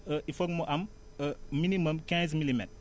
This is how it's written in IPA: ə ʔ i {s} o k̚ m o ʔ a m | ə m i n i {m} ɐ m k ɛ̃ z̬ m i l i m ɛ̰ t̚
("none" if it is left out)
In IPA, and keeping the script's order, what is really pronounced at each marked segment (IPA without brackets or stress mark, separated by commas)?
f, m